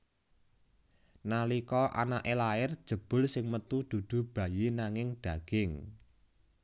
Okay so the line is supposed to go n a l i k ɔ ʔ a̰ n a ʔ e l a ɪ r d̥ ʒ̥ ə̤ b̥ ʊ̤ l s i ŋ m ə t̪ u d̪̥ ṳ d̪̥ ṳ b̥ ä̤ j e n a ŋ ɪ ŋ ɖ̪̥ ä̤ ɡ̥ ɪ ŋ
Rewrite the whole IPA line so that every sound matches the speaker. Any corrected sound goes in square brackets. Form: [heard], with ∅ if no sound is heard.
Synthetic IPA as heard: n a l i k ɔ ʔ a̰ n a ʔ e l a ɪ r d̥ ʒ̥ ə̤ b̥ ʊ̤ l s [ɪ] ŋ m ə t̪ u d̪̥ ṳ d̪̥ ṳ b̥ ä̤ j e n a ŋ ɪ ŋ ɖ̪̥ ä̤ ɡ̥ ɪ ŋ